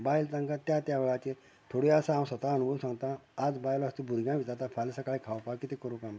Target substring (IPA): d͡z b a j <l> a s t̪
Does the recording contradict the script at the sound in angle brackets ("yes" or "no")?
no